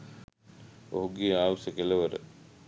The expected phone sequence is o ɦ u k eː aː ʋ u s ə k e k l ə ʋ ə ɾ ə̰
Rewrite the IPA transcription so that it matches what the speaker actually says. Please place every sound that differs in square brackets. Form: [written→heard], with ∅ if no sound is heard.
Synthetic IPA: o ɦ u [k→ɡ] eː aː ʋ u s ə k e [k→∅] l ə ʋ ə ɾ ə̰